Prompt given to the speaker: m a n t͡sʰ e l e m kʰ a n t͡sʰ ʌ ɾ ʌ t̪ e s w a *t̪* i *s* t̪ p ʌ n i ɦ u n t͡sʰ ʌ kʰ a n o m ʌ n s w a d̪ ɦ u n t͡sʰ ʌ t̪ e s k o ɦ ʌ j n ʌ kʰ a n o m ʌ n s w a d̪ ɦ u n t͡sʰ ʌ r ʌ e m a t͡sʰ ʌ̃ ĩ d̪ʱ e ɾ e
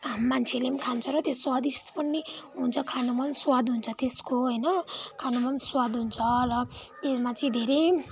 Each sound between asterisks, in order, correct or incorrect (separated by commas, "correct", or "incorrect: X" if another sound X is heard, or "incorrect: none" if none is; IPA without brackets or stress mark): incorrect: d̪, correct